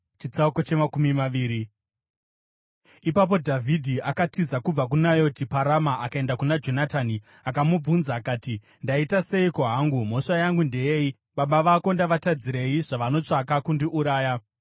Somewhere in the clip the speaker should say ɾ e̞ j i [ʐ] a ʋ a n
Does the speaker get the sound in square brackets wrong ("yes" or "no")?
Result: no